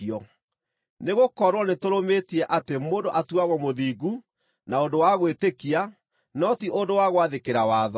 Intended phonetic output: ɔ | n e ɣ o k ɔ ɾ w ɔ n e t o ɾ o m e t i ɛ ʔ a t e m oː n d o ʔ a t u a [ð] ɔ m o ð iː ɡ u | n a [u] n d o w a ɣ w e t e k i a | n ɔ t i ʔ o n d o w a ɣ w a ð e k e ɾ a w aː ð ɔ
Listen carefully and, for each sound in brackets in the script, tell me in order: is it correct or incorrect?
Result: incorrect: ɣ, incorrect: o

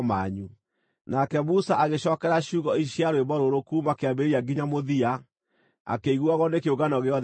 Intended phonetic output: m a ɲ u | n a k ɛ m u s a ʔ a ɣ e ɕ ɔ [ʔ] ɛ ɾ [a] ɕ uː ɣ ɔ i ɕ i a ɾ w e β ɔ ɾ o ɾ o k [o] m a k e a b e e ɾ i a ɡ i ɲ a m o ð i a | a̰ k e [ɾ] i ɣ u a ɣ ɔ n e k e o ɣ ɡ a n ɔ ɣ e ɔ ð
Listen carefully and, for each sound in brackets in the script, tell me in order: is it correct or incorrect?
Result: incorrect: k, correct, incorrect: u, incorrect: none

